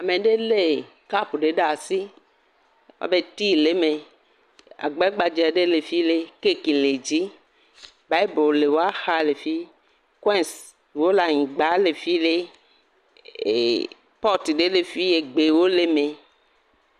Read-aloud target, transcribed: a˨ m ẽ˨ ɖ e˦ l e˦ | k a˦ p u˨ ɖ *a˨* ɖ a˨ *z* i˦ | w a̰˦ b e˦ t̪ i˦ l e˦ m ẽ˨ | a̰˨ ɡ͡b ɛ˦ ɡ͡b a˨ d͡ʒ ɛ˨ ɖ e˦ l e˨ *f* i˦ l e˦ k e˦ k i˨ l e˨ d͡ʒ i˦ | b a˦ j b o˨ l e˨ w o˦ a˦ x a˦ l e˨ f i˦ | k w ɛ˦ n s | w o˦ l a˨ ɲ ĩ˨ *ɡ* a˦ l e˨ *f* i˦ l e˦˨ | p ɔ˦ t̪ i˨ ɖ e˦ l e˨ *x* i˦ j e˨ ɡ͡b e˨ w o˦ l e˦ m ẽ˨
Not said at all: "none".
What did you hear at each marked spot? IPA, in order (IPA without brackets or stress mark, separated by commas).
e˨, s, f, ɡ͡b, f, f